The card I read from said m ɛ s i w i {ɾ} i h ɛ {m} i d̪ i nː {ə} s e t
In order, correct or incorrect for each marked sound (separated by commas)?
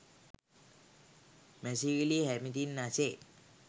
incorrect, correct, incorrect